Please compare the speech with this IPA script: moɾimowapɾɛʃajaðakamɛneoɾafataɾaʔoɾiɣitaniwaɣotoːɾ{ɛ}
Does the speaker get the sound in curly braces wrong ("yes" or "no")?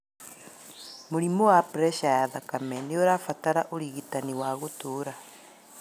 yes